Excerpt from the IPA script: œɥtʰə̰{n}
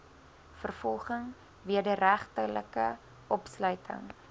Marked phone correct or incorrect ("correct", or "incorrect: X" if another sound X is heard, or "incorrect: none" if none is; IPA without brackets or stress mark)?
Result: incorrect: ŋ